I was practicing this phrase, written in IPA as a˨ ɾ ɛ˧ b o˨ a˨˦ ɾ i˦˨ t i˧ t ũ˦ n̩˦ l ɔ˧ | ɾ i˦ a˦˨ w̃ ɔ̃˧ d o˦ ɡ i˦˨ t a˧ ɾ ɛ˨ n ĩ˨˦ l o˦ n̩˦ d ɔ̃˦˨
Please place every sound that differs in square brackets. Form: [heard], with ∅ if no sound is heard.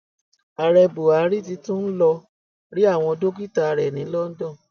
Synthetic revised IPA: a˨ ɾ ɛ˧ b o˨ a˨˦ ɾ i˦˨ t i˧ t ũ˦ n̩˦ l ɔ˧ | ɾ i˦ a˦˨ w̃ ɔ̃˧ d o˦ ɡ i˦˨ t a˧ ɾ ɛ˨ n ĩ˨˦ l [ɔ˦] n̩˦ d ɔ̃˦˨